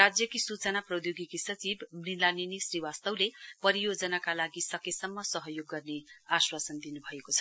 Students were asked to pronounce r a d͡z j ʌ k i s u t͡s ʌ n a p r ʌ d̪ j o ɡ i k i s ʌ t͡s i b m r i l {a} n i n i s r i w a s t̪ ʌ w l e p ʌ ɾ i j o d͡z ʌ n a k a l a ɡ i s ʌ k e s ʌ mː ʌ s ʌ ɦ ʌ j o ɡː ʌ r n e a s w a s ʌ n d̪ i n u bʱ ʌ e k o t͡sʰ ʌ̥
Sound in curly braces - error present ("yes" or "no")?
no